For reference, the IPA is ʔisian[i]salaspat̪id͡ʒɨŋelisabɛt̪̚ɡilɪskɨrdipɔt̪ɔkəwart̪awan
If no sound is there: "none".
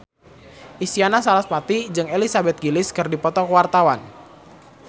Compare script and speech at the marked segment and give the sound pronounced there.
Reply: a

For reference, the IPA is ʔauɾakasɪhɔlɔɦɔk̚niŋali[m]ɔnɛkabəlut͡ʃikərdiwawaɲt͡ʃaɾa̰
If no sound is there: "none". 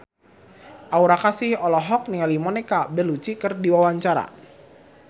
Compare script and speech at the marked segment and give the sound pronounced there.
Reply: m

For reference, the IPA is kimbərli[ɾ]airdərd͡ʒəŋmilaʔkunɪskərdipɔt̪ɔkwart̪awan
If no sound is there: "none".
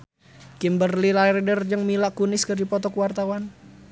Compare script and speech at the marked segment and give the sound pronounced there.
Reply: l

